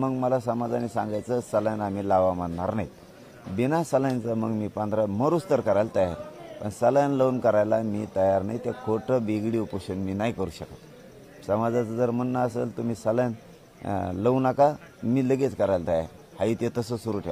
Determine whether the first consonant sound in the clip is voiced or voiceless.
voiced